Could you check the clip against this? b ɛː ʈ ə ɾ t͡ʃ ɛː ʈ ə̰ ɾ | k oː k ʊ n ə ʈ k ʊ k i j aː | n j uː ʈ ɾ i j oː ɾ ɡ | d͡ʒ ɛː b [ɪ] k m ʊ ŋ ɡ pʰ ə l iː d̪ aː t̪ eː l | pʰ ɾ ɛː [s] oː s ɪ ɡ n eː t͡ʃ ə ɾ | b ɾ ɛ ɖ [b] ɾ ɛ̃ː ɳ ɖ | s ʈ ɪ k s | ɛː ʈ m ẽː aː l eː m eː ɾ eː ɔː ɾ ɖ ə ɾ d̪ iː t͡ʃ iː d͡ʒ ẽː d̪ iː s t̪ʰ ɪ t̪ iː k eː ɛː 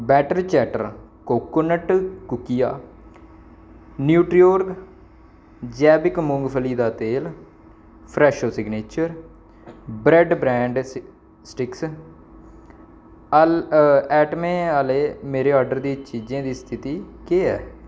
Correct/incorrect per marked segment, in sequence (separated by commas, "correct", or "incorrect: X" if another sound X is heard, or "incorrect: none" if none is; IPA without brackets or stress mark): correct, incorrect: ʃ, correct